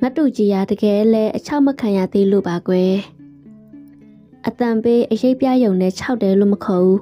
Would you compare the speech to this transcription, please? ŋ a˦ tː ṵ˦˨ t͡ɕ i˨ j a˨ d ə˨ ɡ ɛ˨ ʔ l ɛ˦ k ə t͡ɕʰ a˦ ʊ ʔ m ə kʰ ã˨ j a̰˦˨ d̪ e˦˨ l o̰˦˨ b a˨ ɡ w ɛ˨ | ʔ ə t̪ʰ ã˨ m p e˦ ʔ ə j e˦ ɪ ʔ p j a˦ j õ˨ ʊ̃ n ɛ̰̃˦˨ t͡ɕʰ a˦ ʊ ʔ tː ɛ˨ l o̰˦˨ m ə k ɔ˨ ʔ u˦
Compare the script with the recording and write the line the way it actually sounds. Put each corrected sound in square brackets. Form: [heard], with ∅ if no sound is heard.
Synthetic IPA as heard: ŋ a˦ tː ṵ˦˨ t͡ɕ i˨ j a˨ d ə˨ ɡ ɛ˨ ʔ l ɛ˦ [ʔ] ə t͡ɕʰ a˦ ʊ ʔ m ə kʰ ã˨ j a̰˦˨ d̪ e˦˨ l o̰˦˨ b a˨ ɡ w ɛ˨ | ʔ ə [t̪] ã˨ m p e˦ ʔ ə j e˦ ɪ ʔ p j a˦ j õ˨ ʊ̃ n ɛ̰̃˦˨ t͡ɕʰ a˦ ʊ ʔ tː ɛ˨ l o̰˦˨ m ə [kʰ] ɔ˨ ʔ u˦